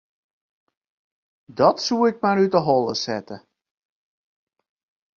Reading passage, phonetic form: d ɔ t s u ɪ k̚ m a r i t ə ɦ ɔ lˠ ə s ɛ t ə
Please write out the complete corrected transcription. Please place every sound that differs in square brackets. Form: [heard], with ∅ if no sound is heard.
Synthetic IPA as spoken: d ɔ t s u ɪ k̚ m a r [y] t ə ɦ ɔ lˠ ə s ɛ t ə